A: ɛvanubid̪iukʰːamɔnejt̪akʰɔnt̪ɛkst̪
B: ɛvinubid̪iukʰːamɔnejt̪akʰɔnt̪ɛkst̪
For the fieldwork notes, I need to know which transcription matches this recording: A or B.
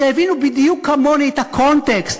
B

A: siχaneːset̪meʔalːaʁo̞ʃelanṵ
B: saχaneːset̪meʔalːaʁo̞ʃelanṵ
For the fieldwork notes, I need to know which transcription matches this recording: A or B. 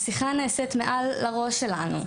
A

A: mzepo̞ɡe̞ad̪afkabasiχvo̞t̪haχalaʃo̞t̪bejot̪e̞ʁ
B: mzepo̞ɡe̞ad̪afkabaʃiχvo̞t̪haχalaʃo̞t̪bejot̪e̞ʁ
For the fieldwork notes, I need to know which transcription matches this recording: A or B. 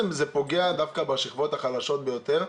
B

